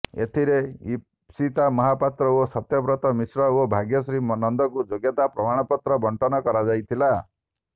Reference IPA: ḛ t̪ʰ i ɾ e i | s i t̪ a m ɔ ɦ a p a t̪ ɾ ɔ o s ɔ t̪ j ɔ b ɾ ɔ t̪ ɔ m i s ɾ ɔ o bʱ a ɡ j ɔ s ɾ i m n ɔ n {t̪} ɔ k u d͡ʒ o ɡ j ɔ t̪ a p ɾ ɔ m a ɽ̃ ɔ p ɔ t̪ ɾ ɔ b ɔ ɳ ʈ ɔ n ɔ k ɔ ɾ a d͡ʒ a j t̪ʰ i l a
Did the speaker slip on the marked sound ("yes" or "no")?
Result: yes